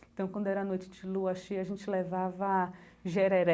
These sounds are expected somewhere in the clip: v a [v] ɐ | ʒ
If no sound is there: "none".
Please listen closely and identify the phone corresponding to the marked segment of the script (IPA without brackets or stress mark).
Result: v